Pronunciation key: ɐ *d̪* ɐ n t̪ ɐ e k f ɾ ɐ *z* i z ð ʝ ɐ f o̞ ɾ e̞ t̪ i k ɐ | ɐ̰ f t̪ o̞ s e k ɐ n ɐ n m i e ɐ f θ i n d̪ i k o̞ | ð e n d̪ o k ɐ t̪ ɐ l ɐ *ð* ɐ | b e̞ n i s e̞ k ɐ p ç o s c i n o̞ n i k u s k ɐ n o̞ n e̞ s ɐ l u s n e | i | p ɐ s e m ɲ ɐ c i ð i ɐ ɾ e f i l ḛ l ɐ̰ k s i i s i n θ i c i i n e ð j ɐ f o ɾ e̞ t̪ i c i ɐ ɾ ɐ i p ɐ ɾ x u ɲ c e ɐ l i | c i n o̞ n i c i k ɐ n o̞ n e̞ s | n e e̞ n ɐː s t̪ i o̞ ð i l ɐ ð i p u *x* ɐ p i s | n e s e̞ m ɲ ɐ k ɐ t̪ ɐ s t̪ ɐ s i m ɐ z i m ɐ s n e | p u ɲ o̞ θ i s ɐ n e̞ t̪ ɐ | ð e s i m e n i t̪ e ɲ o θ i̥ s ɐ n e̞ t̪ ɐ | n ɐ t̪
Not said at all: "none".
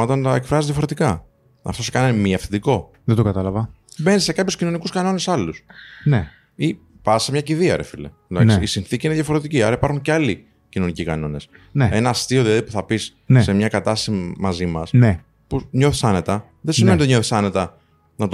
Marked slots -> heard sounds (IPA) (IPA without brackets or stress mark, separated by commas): t̪, z, v, θ